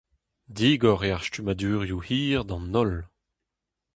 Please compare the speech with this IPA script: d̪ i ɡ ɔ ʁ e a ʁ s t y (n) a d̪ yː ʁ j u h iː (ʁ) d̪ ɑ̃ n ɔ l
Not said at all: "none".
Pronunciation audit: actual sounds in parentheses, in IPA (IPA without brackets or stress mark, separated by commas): m, ʁ